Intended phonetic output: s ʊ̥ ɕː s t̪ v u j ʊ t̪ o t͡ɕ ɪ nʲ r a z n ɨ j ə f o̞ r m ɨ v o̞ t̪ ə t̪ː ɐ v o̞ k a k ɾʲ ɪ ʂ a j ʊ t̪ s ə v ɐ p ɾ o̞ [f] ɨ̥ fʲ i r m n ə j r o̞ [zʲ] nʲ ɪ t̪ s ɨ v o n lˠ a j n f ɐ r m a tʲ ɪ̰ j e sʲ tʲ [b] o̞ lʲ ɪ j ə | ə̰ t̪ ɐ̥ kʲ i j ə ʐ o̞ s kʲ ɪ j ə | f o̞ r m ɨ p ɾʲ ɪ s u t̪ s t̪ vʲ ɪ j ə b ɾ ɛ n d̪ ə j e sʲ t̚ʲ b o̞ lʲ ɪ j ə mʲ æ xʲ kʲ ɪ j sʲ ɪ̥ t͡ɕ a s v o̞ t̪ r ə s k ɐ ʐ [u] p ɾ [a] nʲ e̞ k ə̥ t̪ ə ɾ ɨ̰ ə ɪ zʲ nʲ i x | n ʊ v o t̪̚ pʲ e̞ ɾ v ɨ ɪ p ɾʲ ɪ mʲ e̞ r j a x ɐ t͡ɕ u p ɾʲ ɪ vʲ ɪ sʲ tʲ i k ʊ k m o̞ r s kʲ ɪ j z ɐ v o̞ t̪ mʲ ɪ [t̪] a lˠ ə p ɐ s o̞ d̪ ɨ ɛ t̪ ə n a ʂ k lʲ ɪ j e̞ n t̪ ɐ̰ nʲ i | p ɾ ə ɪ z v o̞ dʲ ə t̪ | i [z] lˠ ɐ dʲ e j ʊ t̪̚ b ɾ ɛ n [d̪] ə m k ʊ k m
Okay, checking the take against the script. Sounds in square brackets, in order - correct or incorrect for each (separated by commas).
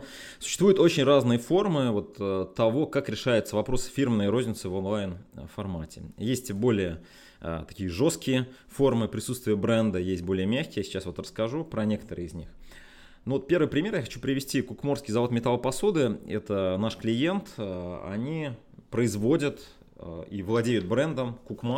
incorrect, correct, correct, correct, incorrect, correct, incorrect, correct